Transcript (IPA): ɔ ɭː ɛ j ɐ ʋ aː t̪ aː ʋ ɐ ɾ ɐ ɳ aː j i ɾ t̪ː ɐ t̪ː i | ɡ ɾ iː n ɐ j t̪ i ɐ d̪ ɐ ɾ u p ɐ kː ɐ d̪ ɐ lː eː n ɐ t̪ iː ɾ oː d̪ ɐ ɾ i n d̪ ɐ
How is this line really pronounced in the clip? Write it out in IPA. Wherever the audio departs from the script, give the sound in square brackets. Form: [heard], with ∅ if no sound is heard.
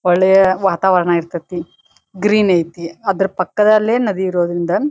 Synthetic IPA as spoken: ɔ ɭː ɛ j ɐ ʋ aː t̪ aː ʋ ɐ ɾ ɐ ɳ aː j i ɾ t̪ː ɐ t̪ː i | ɡ ɾ iː n ɐ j t̪ i ɐ d̪ ɐ ɾ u p ɐ kː ɐ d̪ ɐ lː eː n ɐ [d̪] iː ɾ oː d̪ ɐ ɾ i n d̪ ɐ